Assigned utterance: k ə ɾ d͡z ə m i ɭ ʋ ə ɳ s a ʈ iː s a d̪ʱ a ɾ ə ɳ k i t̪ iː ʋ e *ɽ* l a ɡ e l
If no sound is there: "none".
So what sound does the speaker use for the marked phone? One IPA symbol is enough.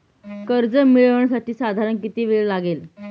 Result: ɭ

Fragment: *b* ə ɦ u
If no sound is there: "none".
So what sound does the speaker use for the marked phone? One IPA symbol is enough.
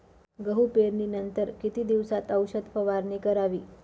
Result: ɡ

